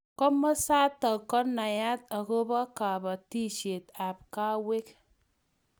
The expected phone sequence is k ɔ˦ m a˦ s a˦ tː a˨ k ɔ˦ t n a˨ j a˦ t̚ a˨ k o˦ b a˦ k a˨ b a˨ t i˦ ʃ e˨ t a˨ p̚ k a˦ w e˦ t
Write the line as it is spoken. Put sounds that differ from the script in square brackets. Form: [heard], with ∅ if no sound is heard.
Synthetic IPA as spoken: k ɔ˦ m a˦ s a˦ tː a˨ k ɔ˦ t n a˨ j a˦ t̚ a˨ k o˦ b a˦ k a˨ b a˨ t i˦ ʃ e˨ t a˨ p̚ k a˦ w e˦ [k]